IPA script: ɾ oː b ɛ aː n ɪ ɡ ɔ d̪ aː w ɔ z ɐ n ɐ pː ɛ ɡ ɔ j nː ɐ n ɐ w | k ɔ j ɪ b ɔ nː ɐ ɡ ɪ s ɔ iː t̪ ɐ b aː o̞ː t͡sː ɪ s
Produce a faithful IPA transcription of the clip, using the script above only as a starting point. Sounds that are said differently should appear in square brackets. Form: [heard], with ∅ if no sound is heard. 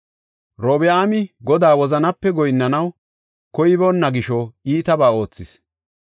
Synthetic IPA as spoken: ɾ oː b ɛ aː [m] ɪ ɡ ɔ d̪ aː w ɔ z ɐ n ɐ pː ɛ ɡ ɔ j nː ɐ n ɐ w | k ɔ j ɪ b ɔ nː ɐ ɡ ɪ [ʃ] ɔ iː t̪ ɐ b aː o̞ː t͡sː ɪ s